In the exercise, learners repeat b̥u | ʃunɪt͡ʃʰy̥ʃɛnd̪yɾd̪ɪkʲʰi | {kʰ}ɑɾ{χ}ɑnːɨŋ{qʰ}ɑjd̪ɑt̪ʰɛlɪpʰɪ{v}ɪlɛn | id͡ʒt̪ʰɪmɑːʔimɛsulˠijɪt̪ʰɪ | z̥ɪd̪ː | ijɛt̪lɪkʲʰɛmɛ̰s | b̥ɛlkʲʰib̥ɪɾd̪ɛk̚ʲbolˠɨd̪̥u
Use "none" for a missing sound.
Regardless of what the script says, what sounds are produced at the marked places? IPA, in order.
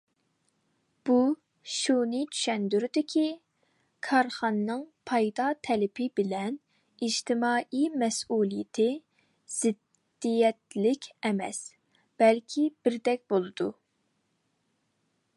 kʰ, χ, pʰ, b

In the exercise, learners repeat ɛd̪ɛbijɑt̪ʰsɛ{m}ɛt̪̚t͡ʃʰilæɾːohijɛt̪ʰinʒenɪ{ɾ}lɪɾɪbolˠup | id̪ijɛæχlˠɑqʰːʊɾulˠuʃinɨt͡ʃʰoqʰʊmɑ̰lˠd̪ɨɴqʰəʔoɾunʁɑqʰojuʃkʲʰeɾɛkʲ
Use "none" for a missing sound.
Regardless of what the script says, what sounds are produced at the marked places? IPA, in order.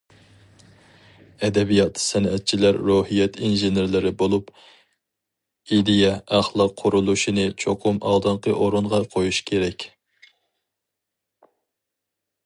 n, ɾ

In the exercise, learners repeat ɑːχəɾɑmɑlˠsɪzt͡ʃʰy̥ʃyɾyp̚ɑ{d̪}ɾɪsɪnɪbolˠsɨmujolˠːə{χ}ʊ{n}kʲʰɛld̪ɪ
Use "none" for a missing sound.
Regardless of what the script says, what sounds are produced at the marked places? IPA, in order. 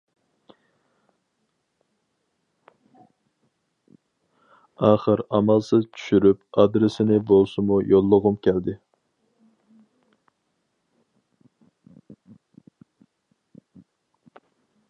d̪, ʁ, m

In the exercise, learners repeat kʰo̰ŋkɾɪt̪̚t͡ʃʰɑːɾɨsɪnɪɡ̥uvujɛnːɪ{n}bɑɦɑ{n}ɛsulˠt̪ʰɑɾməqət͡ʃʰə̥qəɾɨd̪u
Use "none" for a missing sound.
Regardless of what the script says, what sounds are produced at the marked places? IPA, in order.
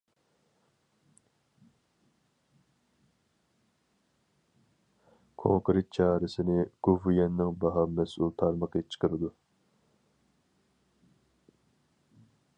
ŋ, m

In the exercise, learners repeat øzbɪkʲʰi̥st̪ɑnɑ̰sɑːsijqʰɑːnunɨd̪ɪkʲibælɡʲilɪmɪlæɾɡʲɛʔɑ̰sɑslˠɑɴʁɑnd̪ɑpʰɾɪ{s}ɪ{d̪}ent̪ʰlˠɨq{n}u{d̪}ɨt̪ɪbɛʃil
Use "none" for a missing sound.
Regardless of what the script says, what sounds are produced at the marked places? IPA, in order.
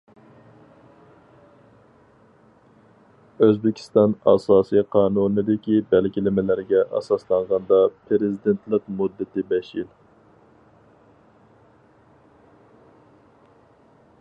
z, d̪, m, d̪ː

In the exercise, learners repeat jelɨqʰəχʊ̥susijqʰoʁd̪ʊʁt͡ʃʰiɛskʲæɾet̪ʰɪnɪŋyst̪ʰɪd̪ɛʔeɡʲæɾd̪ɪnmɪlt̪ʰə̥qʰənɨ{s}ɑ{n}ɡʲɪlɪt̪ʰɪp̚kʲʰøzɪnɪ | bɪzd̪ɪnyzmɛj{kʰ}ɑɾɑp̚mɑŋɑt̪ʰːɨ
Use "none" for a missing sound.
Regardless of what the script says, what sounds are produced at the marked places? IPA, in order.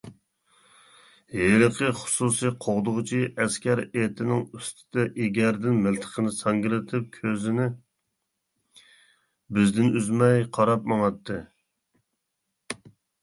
s, ŋ, qʰ

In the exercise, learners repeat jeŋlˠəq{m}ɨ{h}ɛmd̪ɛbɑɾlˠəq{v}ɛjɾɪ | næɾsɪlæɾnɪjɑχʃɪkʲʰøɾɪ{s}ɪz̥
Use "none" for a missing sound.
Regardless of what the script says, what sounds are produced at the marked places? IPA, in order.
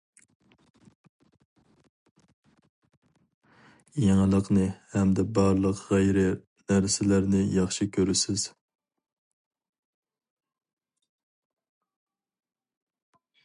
n, h, ʁ, s

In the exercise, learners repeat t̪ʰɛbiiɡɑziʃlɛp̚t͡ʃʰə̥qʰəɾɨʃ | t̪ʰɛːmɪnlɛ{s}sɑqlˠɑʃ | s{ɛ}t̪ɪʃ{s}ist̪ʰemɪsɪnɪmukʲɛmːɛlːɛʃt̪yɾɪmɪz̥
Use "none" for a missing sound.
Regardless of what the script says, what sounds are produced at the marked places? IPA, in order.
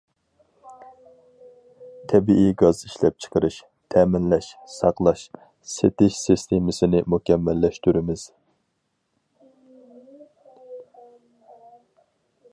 ʃ, e, s

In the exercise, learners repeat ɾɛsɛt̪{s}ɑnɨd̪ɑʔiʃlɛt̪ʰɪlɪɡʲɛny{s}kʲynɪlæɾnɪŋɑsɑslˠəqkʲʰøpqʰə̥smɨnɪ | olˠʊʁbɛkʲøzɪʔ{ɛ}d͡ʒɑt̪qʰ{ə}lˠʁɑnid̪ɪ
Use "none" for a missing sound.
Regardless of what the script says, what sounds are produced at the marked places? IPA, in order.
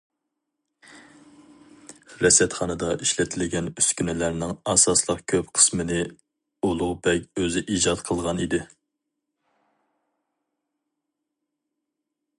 χ, s, i, ə

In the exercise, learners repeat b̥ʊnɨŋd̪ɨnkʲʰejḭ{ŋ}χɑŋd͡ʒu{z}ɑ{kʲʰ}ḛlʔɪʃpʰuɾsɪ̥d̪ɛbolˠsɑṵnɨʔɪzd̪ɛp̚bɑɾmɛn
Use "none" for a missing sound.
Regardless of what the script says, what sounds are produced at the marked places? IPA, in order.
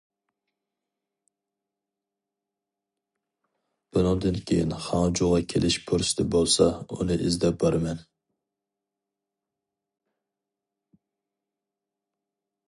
n, ʁ, kʲʰ

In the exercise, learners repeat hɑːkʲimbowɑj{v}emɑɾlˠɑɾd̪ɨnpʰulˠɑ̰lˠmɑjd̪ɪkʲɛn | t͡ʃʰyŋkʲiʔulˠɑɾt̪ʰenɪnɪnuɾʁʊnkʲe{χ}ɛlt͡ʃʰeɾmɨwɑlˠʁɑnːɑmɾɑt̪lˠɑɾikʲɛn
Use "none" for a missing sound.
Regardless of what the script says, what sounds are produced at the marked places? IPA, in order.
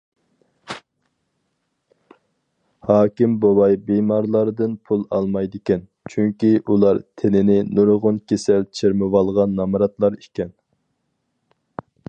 b, s

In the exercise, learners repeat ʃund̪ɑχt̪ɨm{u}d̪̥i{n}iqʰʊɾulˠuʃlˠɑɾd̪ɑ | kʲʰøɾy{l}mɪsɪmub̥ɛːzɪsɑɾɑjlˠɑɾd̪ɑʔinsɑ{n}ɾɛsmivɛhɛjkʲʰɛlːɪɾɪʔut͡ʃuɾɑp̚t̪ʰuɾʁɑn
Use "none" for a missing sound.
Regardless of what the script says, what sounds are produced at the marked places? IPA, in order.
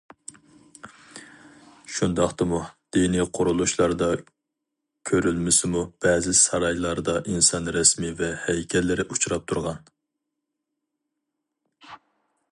u, n, l, n

